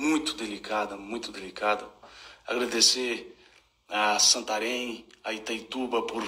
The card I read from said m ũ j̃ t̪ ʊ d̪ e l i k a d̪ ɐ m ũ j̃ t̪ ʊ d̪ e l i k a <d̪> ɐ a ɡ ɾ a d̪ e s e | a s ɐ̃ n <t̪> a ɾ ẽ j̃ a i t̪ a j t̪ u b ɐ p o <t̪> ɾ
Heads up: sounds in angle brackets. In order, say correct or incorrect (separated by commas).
correct, correct, incorrect